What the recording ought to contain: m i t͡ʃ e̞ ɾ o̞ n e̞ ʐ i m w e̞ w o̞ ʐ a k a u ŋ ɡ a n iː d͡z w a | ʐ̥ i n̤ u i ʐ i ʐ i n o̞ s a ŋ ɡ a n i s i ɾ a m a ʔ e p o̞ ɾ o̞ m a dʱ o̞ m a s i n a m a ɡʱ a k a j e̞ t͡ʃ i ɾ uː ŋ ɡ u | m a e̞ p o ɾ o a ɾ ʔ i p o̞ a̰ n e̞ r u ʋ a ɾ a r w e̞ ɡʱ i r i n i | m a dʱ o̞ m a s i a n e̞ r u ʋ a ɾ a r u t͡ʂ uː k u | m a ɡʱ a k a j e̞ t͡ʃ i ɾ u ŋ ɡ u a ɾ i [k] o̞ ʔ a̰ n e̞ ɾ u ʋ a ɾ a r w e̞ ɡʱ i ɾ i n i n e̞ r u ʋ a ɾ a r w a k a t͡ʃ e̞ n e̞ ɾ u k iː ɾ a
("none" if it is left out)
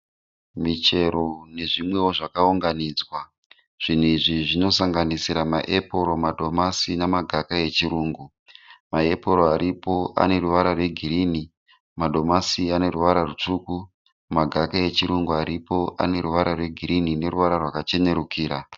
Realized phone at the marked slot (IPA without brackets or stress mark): p